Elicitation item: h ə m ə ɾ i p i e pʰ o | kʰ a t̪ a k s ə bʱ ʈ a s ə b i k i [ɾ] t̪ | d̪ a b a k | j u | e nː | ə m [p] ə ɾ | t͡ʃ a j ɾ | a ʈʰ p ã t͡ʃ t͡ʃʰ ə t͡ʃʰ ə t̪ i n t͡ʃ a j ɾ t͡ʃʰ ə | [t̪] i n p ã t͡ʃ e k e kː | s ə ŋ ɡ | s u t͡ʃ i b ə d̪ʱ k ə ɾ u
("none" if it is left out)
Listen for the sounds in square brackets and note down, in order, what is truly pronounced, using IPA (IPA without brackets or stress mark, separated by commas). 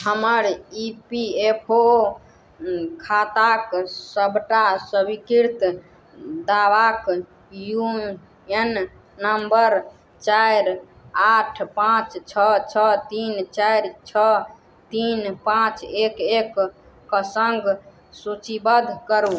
ɾ, b, t̪